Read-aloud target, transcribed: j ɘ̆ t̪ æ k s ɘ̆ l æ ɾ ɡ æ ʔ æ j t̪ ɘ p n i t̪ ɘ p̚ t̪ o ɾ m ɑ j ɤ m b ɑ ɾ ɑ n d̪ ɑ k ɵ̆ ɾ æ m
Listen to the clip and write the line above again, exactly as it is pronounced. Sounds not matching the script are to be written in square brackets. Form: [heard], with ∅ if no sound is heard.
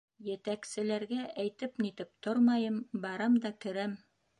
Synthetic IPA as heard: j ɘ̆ t̪ æ k s ɘ̆ l æ ɾ ɡ æ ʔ æ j t̪ ɘ p n i t̪ ɘ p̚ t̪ o ɾ m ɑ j ɤ m b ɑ ɾ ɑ [m] d̪ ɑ k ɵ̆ ɾ æ m